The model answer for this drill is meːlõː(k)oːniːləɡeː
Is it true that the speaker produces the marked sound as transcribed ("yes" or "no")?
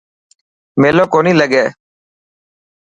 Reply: yes